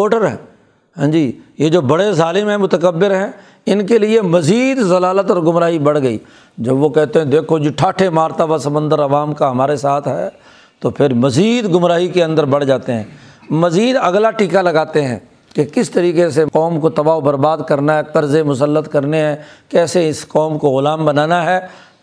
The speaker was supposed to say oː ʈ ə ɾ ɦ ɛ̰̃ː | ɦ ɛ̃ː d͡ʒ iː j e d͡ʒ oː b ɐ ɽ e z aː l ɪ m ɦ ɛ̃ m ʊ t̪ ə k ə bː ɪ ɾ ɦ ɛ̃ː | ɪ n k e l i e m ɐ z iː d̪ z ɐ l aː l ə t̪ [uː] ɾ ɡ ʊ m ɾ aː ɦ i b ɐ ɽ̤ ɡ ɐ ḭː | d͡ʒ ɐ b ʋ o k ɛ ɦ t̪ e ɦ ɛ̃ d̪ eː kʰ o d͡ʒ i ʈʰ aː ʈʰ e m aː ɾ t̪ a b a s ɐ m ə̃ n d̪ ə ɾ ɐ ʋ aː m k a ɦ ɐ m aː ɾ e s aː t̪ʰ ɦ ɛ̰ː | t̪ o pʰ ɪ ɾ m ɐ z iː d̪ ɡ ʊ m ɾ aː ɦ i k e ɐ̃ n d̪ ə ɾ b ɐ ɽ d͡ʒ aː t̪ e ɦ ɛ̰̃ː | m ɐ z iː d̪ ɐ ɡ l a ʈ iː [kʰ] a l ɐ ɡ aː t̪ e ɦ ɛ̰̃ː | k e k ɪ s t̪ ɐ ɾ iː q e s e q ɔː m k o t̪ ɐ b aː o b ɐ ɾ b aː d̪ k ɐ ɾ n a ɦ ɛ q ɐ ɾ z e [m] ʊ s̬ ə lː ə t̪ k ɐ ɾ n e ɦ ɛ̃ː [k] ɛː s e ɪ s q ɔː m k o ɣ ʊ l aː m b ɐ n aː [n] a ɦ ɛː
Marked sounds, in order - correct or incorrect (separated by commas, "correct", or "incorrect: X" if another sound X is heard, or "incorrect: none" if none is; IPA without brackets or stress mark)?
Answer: incorrect: ɔː, incorrect: k, correct, correct, correct